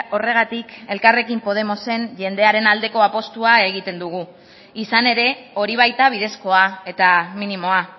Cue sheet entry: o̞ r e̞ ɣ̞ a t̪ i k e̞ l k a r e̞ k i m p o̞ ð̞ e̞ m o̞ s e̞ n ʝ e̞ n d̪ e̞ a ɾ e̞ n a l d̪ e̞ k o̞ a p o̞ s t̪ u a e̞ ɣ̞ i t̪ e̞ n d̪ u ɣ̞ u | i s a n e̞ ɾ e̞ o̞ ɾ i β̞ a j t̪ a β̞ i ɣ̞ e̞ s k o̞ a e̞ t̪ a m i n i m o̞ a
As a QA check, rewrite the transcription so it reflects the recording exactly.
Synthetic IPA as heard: o̞ r e̞ ɣ̞ a t̪ i k e̞ l k a r e̞ k i m p o̞ ð̞ e̞ m o̞ s e̞ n ʝ e̞ n d̪ e̞ a ɾ e̞ n a l d̪ e̞ k o̞ a p o̞ s t̪ u a e̞ ɣ̞ i t̪ e̞ n d̪ u ɣ̞ u | i s a n e̞ ɾ e̞ o̞ ɾ i β̞ a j t̪ a β̞ i ð̞ e̞ s k o̞ a e̞ t̪ a m i n i m o̞ a